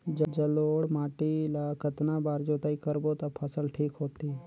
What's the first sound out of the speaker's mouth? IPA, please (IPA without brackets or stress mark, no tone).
d͡ʒ